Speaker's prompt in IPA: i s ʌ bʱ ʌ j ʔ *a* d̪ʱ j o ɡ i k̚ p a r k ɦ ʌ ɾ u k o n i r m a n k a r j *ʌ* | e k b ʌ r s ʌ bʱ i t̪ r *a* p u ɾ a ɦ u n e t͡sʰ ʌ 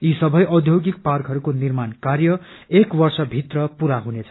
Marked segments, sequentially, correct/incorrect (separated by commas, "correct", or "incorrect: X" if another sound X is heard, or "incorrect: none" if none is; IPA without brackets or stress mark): incorrect: ʌ, correct, incorrect: ʌ